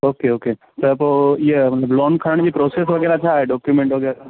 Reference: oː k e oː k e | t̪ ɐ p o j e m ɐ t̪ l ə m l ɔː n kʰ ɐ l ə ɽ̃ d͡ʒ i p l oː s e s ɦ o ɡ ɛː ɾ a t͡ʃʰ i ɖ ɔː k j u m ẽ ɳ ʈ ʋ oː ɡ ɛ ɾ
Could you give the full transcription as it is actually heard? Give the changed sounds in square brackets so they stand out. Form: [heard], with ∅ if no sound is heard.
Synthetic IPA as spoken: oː k e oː k e | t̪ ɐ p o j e m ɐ t̪ l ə [b] l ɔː n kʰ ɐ [ɾ] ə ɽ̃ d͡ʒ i p [ɾ] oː s e s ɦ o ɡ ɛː ɾ a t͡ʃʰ [a] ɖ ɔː k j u m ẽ ɳ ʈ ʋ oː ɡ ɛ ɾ